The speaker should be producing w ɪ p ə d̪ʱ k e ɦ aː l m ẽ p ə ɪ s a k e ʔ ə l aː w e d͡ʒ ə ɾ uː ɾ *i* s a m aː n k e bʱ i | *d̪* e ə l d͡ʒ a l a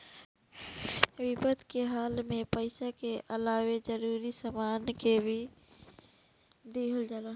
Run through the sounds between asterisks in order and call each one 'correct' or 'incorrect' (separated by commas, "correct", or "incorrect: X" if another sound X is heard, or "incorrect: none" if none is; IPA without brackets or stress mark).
correct, correct